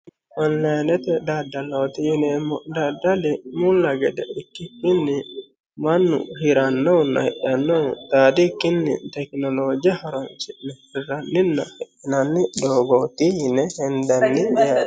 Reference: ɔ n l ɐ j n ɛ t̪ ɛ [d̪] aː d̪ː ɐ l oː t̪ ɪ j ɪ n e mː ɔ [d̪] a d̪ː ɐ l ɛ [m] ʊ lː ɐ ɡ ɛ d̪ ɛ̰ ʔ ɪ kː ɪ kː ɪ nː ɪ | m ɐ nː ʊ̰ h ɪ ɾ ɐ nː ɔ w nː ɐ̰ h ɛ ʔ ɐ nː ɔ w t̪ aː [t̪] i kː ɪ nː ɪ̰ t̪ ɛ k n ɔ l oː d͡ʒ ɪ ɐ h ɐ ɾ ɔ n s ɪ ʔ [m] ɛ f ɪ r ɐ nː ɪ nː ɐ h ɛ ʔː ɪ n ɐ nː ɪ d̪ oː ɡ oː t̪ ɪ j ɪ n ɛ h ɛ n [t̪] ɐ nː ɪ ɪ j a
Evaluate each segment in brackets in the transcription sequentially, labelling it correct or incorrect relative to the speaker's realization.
correct, correct, correct, incorrect, incorrect, incorrect

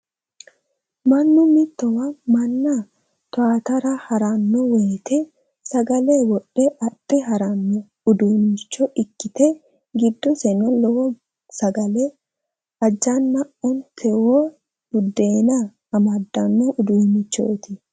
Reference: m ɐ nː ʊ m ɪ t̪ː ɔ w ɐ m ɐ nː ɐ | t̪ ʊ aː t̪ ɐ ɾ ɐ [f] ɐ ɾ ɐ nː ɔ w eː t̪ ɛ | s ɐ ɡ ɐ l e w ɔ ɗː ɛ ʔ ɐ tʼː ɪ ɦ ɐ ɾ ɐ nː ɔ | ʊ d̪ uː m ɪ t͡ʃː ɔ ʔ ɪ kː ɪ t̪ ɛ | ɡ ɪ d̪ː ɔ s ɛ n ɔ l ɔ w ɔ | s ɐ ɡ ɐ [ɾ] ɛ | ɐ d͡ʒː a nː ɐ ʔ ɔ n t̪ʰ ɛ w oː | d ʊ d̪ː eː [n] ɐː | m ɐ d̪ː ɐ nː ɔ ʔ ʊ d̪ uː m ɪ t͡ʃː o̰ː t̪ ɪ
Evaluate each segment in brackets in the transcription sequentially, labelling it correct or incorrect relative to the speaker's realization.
incorrect, incorrect, correct

